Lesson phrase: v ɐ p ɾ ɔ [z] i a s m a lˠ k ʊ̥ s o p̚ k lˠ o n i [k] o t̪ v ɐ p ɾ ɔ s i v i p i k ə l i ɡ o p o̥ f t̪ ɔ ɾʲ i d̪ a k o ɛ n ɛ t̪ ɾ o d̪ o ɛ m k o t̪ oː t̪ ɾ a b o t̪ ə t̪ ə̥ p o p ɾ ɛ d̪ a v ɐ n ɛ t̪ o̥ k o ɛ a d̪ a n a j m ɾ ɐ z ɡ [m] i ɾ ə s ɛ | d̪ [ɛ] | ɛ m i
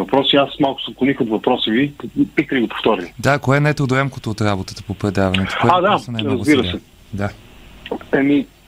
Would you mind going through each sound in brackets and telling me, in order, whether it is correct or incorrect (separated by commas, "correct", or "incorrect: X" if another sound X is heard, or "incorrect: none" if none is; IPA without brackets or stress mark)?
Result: incorrect: s, incorrect: x, incorrect: b, incorrect: a